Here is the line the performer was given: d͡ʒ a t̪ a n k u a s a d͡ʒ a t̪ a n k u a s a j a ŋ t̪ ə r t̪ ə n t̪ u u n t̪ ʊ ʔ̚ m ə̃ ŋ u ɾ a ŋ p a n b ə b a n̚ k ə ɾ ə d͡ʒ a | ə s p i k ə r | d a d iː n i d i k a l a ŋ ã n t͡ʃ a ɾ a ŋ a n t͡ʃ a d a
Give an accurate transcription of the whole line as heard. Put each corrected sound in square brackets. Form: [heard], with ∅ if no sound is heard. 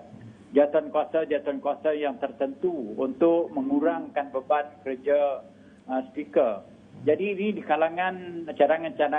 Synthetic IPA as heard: d͡ʒ a t̪ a n k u a s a d͡ʒ a t̪ a n k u a s a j a ŋ t̪ ə r t̪ ə n t̪ u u n t̪ ʊ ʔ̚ m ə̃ ŋ u ɾ a ŋ [k] a n b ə b a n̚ k ə ɾ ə d͡ʒ a | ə s p i k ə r | [d͡ʒ] a d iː n i d i k a l a ŋ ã n t͡ʃ a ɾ a ŋ a n t͡ʃ a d a